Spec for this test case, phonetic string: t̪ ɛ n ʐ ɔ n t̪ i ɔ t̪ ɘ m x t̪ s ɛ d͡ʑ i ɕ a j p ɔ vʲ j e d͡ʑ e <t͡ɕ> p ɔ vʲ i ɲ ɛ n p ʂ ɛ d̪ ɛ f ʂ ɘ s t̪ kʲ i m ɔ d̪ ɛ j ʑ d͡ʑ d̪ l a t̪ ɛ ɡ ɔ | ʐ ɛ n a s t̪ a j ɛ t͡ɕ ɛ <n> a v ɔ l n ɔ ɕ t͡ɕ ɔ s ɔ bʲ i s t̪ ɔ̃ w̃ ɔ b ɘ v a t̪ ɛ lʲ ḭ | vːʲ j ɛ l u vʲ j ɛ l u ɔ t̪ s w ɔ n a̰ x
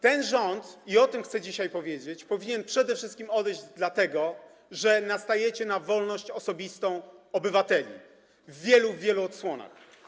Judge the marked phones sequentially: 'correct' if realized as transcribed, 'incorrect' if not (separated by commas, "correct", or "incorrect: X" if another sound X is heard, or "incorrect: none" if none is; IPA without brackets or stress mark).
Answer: correct, correct